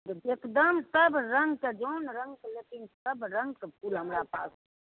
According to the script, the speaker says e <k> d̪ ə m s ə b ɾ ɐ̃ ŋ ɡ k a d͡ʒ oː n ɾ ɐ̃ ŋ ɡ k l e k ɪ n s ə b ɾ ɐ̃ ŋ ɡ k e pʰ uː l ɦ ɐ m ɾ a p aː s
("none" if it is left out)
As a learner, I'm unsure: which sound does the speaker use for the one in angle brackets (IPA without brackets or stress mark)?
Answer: k